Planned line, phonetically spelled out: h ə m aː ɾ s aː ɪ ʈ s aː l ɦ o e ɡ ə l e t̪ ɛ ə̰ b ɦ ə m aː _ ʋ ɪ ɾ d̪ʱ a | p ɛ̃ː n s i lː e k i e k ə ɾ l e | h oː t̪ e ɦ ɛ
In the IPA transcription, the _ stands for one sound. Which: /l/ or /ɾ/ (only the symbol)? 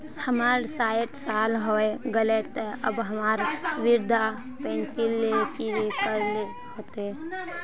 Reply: ɾ